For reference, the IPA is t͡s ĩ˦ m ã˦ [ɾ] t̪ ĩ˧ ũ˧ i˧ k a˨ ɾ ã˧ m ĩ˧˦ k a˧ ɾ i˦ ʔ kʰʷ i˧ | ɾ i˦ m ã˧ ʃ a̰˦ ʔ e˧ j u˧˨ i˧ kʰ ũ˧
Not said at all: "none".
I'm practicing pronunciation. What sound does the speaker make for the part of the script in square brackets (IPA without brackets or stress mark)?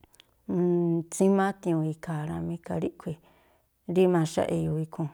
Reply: none